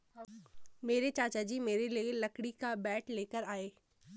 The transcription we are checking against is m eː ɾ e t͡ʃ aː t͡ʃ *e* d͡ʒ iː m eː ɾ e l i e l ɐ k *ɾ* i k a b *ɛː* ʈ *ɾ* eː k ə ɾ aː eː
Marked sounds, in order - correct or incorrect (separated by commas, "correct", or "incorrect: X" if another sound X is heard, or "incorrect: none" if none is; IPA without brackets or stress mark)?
incorrect: a, incorrect: ɽ, correct, incorrect: l